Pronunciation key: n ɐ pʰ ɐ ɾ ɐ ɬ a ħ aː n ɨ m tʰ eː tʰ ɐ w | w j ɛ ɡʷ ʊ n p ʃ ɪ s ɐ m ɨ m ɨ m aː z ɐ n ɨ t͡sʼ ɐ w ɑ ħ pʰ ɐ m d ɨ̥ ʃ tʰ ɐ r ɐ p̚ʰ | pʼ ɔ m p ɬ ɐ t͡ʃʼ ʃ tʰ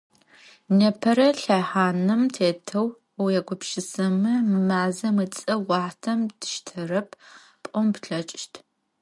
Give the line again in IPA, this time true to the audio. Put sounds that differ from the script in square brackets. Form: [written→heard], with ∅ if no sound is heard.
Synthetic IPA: n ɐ pʰ ɐ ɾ ɐ ɬ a ħ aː n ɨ m tʰ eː tʰ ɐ w | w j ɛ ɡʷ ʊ [n→∅] p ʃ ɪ s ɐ m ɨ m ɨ m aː z ɐ [n→m] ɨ t͡sʼ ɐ w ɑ ħ [pʰ→tʰ] ɐ m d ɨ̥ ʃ tʰ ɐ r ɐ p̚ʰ | pʼ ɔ m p ɬ ɐ t͡ʃʼ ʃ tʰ